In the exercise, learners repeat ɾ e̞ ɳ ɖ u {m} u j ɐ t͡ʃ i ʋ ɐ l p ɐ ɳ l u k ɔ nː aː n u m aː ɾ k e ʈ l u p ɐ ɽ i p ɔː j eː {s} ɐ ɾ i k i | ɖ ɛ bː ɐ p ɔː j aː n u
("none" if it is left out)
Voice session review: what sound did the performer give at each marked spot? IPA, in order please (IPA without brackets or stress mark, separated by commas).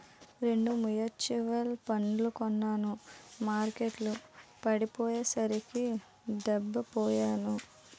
m, s